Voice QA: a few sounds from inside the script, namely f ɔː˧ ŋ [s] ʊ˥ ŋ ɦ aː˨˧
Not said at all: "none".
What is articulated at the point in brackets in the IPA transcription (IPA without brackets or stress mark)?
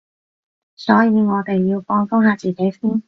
f